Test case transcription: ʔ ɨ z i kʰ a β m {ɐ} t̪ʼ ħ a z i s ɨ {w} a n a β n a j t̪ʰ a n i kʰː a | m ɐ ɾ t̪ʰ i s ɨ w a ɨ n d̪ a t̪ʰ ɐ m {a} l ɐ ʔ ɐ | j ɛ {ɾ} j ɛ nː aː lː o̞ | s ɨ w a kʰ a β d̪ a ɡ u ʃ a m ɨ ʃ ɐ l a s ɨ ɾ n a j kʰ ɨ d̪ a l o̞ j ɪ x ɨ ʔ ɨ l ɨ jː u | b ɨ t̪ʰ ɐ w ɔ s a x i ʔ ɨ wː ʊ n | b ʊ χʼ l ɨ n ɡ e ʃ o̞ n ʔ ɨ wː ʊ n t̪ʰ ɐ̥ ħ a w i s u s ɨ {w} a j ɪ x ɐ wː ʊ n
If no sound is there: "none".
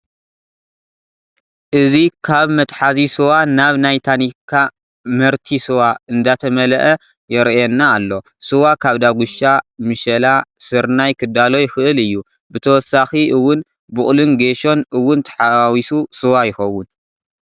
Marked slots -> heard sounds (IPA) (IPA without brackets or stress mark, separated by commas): ɐ, w, ɐ, ɾ, w